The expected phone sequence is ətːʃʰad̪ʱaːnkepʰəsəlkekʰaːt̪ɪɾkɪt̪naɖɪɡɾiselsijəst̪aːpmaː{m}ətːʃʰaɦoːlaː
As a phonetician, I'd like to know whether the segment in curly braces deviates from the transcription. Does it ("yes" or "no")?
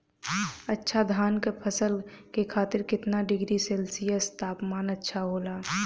yes